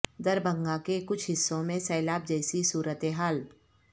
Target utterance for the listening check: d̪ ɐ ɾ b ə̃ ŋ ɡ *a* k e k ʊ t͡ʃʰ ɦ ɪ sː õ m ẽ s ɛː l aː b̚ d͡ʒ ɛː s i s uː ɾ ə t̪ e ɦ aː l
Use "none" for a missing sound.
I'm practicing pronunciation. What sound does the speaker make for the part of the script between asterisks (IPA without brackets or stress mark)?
a